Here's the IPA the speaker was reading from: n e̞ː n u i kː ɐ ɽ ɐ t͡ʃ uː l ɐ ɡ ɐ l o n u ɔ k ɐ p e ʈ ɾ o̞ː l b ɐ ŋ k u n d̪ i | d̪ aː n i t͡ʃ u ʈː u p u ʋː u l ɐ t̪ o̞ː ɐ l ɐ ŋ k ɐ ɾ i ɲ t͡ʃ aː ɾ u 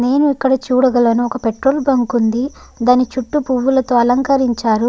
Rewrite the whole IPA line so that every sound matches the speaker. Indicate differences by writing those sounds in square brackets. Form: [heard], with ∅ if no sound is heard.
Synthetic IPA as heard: n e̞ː n u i kː ɐ ɽ ɐ t͡ʃ uː [ɽ] ɐ ɡ ɐ l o n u ɔ k ɐ p e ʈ ɾ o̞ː l b ɐ ŋ k u n d̪ i | d̪ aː n i t͡ʃ u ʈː u p u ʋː u l ɐ t̪ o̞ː ɐ l ɐ ŋ k ɐ ɾ i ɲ t͡ʃ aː ɾ u